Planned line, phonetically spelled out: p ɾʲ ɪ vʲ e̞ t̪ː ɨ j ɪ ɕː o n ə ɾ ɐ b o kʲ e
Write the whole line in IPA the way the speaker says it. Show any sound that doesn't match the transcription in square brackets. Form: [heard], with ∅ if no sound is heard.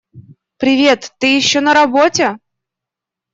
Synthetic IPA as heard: p ɾʲ ɪ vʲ e̞ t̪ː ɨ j ɪ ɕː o n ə ɾ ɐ b o [tʲ] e